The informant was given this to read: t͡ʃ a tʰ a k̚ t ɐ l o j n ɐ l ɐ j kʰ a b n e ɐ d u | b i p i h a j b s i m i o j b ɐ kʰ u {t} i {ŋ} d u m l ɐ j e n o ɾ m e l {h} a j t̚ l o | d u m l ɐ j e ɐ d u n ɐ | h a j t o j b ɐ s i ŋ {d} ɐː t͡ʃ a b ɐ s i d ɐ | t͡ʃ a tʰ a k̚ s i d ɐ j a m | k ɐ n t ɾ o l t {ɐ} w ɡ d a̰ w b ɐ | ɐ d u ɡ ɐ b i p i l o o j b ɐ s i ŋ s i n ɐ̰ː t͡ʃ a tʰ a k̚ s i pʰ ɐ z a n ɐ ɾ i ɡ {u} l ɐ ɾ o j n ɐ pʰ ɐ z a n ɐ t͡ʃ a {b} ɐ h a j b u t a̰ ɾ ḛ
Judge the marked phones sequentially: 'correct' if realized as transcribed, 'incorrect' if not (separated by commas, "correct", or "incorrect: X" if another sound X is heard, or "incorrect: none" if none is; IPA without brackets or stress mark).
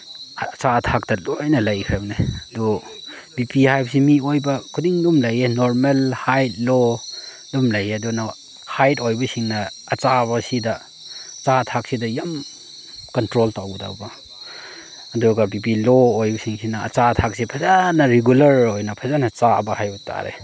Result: incorrect: d, correct, correct, incorrect: n, incorrect: a, correct, correct